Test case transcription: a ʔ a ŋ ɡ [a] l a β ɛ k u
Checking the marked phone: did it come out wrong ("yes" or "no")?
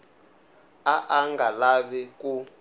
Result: no